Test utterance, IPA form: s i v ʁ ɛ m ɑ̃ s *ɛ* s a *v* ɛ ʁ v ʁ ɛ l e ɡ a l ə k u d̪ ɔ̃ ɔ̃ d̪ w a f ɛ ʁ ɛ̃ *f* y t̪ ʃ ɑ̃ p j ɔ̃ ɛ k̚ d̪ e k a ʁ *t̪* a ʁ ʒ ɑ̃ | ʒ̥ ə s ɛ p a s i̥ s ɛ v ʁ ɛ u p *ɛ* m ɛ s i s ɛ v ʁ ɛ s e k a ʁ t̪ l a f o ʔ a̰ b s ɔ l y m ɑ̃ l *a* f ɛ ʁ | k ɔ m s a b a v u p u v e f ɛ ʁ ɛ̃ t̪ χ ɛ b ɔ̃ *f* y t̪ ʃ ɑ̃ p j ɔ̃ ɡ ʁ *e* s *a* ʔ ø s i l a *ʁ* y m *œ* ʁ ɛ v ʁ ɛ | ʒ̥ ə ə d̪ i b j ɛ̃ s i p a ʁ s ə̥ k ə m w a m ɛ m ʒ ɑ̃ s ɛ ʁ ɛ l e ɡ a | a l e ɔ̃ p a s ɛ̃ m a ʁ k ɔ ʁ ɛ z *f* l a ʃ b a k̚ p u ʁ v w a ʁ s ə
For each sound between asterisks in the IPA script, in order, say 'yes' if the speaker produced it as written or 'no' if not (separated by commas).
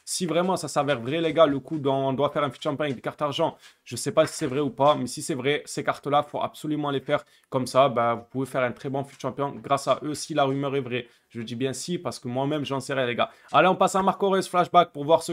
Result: no, yes, yes, yes, no, no, yes, no, yes, yes, yes, yes